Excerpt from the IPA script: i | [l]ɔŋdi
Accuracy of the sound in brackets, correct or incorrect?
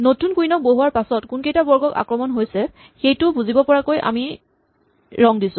incorrect